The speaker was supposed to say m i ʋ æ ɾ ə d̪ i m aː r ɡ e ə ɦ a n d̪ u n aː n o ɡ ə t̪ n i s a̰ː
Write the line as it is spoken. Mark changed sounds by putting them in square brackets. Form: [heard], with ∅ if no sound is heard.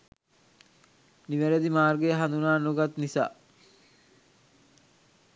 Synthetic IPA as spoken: [n] i ʋ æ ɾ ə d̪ i m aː r ɡ e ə ɦ a n d̪ u n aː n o ɡ [a] t̪ n i s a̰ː